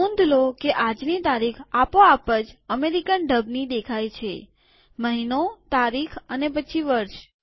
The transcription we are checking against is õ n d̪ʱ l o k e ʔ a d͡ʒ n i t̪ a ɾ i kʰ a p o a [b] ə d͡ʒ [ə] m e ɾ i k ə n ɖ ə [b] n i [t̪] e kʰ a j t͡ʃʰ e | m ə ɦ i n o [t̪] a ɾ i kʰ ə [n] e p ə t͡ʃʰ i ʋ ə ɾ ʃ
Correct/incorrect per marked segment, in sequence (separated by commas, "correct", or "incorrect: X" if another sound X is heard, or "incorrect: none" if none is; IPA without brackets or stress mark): incorrect: p, correct, correct, incorrect: d̪, correct, correct